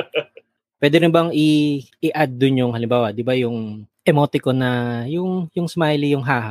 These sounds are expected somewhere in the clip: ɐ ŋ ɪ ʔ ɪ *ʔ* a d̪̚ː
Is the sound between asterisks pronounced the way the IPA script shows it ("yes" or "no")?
yes